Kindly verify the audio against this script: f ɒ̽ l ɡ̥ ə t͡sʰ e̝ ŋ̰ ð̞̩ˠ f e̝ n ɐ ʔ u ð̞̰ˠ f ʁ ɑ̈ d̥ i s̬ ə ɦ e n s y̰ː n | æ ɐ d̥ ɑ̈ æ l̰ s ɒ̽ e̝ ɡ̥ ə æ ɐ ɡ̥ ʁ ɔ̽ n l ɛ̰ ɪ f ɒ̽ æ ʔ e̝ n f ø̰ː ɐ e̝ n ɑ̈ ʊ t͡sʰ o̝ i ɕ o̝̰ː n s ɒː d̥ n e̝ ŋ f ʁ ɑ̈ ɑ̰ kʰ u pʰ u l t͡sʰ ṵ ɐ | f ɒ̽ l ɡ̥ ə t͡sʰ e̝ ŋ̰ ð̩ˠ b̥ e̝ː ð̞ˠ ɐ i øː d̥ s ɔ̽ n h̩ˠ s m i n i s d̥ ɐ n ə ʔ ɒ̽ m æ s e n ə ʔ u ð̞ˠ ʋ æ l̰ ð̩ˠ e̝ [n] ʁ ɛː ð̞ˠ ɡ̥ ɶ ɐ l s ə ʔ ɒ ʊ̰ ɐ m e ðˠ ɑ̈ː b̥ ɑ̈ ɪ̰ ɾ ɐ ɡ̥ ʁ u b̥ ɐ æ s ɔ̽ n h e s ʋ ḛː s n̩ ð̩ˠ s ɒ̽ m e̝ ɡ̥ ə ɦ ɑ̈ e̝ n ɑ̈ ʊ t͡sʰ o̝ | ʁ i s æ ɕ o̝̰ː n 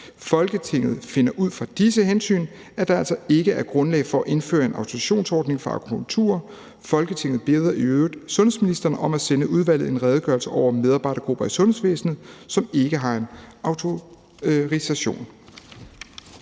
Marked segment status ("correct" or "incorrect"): correct